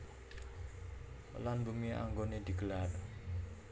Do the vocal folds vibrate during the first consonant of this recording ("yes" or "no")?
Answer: yes